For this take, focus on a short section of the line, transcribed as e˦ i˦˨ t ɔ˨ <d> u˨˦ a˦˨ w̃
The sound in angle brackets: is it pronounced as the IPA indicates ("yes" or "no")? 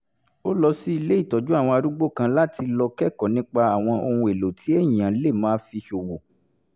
no